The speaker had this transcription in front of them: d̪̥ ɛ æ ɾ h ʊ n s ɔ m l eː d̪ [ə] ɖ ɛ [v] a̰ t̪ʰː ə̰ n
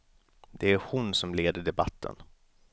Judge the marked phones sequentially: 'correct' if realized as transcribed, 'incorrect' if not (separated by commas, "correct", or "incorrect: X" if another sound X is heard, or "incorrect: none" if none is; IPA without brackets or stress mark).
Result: correct, incorrect: b